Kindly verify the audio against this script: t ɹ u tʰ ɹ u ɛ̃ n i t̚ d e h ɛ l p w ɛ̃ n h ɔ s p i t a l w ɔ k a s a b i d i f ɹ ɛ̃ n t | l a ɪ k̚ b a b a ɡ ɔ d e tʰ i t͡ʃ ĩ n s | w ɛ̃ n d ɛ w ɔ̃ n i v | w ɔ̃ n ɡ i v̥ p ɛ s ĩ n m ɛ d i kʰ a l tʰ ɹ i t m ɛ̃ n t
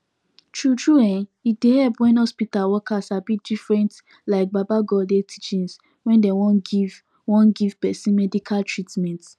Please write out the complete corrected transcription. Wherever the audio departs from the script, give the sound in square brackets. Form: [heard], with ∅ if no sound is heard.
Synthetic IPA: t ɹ u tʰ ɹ u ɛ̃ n i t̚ d e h ɛ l p w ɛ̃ n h ɔ s p i t a l w ɔ k a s a b i d i f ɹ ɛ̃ n t | l a ɪ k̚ b a b a ɡ ɔ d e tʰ i t͡ʃ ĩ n s | w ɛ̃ n d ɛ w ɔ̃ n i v | w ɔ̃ n ɡ i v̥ p ɛ s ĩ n m ɛ d i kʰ a l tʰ ɹ i t m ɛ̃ n t